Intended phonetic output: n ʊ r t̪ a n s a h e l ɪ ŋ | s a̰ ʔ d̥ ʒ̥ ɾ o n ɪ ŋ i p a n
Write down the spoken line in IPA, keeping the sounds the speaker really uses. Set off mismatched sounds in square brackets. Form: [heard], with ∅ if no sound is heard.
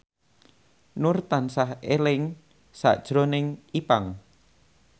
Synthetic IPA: n ʊ r t̪ a n s a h e l ɪ ŋ | s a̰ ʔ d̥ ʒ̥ ɾ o n ɪ ŋ i p a [ŋ]

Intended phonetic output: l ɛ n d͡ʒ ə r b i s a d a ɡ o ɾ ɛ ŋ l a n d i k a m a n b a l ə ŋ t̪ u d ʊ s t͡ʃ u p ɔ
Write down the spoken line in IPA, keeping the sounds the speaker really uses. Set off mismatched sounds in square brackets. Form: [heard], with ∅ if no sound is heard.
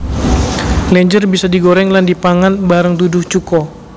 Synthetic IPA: l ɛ [ɲ] d͡ʒ ə r b i s a d [i] ɡ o ɾ ɛ ŋ l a n d i [p] a [ŋ] a n b a [ɾ] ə ŋ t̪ u d ʊ [h] t͡ʃ u [k] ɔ

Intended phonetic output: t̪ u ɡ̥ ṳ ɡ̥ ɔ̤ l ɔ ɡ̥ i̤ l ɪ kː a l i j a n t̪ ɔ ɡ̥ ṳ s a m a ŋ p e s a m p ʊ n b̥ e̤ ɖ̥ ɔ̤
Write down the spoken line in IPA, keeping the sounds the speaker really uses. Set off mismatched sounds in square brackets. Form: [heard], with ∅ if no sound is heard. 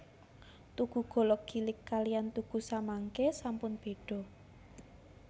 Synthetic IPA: t̪ u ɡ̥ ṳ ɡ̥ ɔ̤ l ɔ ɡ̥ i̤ l ɪ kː a l i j a n t̪ [u] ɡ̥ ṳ s a m a ŋ [k] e s a m p ʊ n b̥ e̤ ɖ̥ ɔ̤

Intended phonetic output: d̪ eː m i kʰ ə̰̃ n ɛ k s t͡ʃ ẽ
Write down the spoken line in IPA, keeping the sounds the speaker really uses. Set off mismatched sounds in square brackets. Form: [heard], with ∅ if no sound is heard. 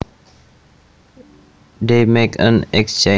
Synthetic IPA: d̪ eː m [e] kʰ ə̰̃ n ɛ k s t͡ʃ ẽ

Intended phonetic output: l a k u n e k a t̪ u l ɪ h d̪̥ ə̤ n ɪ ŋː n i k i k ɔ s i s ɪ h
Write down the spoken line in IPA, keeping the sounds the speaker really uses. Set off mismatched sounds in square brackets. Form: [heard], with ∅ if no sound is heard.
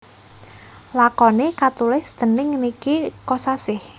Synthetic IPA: l a k [ɔ] n e k a t̪ u l ɪ [s] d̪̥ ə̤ n ɪ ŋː n i k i k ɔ s [a] s ɪ h

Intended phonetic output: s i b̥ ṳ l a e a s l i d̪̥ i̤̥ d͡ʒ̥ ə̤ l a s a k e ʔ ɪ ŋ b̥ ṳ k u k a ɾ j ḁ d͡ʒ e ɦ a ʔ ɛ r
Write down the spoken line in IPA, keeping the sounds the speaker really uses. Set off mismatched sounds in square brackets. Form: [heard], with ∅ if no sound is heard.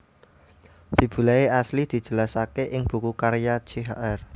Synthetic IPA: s i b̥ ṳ l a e a s l i d̪̥ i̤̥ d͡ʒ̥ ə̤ l a s a k e ʔ ɪ ŋ b̥ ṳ k u k a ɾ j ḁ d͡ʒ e ɦ a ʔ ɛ r

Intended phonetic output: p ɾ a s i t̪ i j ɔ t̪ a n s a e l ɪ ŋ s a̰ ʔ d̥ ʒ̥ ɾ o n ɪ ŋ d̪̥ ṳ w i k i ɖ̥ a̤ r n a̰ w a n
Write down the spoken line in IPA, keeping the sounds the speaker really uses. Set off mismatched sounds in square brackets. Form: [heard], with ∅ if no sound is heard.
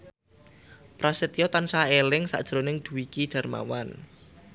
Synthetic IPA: p ɾ a s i t̪ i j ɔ t̪ a n s a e l ɪ ŋ s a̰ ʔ d̥ ʒ̥ ɾ o n ɪ ŋ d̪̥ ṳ w i k i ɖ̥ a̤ r [m] a̰ w a n

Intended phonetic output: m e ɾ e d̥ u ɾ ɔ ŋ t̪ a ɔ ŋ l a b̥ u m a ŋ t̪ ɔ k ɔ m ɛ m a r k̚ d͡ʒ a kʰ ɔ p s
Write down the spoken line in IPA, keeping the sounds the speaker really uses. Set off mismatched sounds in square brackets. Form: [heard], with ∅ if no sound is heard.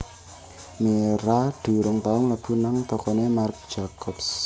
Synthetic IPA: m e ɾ [a] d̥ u ɾ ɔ ŋ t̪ a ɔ ŋ l a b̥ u [n] a ŋ t̪ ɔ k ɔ [n] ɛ m a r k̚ d͡ʒ a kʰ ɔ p s

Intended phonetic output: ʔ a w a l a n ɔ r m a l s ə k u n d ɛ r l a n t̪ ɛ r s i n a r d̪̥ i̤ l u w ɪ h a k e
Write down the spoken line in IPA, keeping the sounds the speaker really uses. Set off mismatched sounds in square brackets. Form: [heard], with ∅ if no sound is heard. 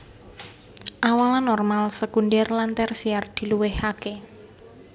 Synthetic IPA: ʔ a w a l a n ɔ r m a l s ə k u n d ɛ r l a n t̪ ɛ r s i [∅] a r d̪̥ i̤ l u w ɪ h a k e

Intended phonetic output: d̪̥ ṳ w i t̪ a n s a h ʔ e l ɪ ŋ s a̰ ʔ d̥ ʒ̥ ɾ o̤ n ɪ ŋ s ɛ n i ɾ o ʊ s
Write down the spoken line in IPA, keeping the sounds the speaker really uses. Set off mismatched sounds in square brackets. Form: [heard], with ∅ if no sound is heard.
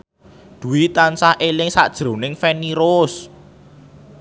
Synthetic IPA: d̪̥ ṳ w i t̪ a n s a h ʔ e l ɪ ŋ s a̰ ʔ d̥ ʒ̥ ɾ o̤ n ɪ ŋ [f] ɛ n i ɾ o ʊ s

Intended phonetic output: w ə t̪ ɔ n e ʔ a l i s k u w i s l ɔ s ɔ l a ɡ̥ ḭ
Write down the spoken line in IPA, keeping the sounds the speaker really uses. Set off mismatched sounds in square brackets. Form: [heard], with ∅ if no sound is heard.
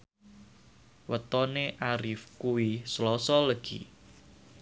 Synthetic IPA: w ə t̪ ɔ n e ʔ a [ɾ] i [f] k u w i s l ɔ s ɔ l [ə] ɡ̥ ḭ

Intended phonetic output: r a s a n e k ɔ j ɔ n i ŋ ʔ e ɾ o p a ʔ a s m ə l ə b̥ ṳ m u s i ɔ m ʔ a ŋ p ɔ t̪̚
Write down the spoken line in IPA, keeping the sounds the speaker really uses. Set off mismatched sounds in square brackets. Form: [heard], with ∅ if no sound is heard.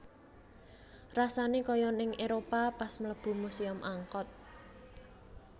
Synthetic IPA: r a s a n e k ɔ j ɔ n [ɪ] ŋ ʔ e ɾ o p a [p] a s m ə l ə b̥ ṳ m u s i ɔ m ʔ a ŋ [k] ɔ t̪̚

